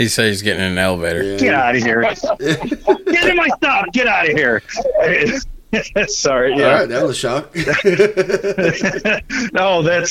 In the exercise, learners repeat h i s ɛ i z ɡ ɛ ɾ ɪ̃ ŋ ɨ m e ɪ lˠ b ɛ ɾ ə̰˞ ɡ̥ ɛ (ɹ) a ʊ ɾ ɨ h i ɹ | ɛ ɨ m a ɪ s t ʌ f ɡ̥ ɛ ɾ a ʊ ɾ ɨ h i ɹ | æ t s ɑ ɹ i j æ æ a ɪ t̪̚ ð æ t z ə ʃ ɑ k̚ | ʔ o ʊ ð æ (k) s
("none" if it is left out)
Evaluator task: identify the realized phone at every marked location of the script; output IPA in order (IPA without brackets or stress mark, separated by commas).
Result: ɾ, t